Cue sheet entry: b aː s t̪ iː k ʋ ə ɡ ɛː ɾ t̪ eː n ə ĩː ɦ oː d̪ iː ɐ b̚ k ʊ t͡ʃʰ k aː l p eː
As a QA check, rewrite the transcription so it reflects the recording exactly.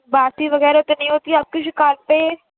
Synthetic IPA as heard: b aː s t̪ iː ʋ ə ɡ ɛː ɾ t̪ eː n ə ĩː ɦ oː t̪ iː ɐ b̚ k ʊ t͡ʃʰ k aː l p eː